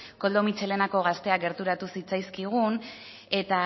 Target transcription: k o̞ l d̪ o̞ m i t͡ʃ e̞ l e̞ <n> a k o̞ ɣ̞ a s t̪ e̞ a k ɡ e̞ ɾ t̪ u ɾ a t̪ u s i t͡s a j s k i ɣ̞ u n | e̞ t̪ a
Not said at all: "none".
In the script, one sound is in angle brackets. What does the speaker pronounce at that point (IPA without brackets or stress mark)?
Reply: n